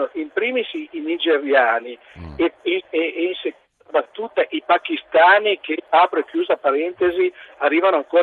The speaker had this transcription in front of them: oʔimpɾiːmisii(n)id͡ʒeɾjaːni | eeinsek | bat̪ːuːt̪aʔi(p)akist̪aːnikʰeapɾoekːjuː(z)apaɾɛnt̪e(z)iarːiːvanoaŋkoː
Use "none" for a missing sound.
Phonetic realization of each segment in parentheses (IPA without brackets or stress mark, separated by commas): n, p, z, z